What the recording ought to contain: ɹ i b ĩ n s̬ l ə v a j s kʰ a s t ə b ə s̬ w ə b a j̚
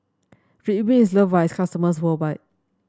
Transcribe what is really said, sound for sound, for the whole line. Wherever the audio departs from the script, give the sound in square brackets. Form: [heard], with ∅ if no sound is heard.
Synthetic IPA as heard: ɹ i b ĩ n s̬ l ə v a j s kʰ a s t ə [m] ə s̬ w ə b a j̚